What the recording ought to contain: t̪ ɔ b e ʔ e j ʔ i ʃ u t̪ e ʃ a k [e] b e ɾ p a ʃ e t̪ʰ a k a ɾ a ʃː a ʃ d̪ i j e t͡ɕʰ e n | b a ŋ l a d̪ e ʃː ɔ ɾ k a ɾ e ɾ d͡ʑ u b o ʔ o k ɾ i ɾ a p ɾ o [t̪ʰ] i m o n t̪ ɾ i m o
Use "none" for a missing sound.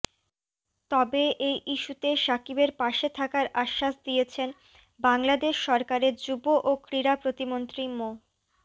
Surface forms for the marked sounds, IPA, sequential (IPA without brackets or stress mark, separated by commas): i, t̪